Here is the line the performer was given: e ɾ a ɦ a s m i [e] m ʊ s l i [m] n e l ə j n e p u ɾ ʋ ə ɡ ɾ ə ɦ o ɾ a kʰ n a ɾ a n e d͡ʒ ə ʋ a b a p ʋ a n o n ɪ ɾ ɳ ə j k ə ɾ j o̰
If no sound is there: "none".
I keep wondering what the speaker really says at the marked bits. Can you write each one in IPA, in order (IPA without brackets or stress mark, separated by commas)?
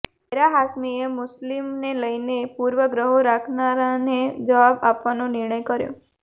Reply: e, m